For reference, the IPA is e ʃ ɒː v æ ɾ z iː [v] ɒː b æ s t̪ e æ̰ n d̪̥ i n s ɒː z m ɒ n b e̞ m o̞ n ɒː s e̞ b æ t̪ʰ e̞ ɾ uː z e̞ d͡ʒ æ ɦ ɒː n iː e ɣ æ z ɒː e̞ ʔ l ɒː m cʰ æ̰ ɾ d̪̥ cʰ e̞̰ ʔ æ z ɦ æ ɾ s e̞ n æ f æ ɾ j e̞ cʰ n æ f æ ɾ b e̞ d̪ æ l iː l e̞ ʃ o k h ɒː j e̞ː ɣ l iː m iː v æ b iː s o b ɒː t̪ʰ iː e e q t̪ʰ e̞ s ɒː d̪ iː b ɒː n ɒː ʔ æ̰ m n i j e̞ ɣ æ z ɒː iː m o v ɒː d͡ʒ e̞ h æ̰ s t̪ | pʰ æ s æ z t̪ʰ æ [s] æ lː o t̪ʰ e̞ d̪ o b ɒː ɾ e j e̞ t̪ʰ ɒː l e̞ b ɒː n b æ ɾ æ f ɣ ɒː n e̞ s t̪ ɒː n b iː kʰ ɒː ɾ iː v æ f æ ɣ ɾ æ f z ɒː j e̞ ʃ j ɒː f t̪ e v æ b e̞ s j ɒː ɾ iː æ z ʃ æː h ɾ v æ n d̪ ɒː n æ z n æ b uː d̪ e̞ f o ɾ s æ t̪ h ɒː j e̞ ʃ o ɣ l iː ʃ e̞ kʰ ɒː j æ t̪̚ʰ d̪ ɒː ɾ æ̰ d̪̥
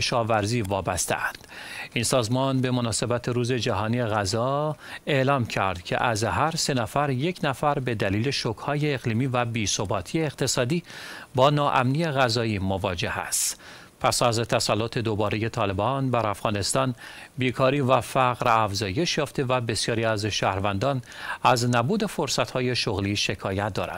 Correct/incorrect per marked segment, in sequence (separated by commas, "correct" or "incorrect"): correct, correct